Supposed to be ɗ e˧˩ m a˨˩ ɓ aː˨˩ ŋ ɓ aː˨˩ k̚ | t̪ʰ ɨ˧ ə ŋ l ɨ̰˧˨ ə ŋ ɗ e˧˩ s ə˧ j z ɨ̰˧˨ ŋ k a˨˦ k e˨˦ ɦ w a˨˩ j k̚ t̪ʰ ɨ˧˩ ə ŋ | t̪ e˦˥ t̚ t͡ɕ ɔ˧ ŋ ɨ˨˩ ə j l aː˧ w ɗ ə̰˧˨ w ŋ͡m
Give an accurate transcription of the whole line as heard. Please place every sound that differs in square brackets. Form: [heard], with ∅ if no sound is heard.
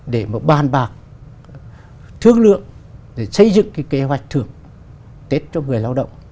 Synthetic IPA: ɗ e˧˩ m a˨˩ ɓ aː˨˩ [n] ɓ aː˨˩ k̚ | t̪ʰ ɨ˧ ə ŋ l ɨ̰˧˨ ə ŋ ɗ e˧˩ s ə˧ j z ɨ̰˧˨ ŋ k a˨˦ k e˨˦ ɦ w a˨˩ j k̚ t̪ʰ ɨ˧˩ ə ŋ | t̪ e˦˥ t̚ t͡ɕ ɔ˧ ŋ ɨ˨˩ ə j l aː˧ w ɗ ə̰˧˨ w ŋ͡m